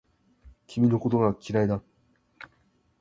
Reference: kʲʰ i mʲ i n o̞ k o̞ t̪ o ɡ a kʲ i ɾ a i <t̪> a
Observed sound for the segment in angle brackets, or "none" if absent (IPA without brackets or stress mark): d̪